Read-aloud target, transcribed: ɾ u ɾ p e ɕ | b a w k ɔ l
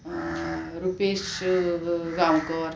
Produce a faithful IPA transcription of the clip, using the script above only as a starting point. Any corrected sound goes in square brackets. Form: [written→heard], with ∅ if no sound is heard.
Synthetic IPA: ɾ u [ɾ→∅] p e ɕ | [b→ɡ] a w k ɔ [l→ɾ]

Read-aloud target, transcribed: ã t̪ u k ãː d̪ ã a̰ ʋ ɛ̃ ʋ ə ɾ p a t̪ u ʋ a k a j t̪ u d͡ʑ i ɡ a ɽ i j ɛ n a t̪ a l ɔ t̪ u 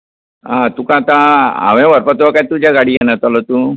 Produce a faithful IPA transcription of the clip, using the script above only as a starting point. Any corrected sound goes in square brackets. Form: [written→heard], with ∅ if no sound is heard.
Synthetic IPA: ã t̪ u k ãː [d̪→t̪] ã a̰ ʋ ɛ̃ ʋ ə ɾ p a t̪ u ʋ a k a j t̪ u d͡ʑ [i→a] ɡ a ɽ i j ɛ n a t̪ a l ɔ t̪ u

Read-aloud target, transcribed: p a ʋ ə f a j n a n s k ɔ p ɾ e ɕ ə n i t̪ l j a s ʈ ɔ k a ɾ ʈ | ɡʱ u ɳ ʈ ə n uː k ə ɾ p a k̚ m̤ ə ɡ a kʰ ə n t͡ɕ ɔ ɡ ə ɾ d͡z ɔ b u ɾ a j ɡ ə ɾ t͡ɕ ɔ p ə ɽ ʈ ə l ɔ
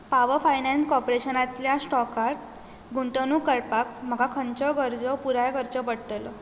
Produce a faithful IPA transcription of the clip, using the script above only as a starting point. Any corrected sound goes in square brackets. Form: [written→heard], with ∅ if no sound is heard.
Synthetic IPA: p a ʋ ə f a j n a n s k ɔ p ɾ e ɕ ə n [i→a] t̪ l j a s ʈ ɔ k a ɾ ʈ | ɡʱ u ɳ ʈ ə n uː k ə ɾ p a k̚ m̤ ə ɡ a kʰ ə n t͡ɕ ɔ ɡ ə ɾ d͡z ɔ [b→p] u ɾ a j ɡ ə ɾ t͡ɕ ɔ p ə ɽ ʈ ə l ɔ

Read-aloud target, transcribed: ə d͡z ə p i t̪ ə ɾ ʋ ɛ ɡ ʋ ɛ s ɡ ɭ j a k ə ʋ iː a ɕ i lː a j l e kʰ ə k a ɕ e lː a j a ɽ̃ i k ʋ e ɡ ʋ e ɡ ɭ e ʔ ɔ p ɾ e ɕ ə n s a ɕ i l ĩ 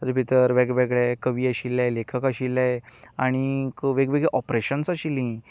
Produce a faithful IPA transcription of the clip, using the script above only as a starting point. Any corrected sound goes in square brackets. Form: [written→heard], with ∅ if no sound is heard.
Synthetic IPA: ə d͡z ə p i t̪ ə ɾ ʋ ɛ ɡ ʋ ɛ [s→∅] ɡ ɭ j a k ə ʋ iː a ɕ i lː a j l e kʰ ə k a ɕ [e→i] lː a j a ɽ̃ i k ʋ e ɡ ʋ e ɡ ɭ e ʔ ɔ p ɾ e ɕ ə n s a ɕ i l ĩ

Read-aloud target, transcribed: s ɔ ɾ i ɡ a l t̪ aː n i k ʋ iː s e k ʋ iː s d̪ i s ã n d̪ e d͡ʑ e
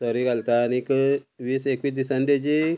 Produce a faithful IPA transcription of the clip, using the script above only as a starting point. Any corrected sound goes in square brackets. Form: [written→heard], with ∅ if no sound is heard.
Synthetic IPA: s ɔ ɾ i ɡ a l t̪ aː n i k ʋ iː s e k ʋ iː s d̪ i s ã n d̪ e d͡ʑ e

